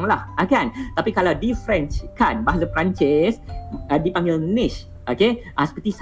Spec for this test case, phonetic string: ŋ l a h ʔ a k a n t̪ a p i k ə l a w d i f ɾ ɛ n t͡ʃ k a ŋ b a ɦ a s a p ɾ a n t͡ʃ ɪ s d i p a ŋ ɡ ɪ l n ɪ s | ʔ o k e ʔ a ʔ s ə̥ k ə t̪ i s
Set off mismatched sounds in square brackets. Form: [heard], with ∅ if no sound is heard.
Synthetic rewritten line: ŋ l a h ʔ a k a n t̪ a p i k [a] l a w d i f ɾ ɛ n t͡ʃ k a [n] b a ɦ a s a p ɾ a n t͡ʃ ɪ s d i p a ŋ ɡ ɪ l n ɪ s | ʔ o k e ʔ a [∅] s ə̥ [p] ə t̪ i s